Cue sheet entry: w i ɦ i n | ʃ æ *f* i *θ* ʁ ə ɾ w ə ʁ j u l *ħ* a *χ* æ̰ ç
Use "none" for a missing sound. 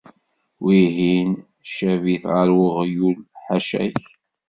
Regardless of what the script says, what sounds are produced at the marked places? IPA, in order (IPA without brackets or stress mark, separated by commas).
v, θ, ħ, ʃ